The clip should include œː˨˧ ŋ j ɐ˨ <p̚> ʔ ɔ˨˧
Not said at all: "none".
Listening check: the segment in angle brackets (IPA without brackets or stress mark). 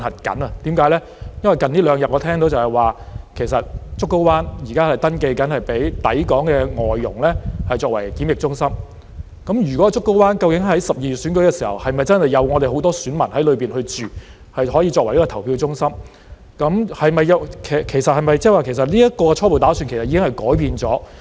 t̚